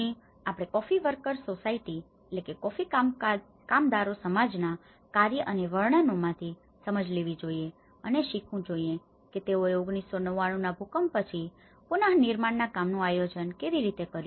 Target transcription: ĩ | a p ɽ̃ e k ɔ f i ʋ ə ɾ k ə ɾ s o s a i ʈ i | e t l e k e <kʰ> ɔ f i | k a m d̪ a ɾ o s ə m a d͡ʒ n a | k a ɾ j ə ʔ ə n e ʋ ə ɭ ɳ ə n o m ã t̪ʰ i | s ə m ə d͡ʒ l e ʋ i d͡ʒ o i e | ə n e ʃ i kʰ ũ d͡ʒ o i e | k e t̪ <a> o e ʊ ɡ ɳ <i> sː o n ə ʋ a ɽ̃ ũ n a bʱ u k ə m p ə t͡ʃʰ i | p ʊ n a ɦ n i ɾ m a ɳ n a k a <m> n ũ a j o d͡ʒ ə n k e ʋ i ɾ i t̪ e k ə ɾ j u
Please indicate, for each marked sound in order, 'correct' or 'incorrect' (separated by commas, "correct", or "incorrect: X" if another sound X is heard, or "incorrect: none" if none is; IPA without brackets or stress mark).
incorrect: k, incorrect: e, correct, correct